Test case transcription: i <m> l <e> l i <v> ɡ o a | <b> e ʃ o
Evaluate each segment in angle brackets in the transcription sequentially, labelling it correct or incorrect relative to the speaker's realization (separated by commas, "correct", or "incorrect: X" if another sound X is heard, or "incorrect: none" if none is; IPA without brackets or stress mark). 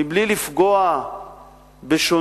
incorrect: b, incorrect: i, incorrect: f, correct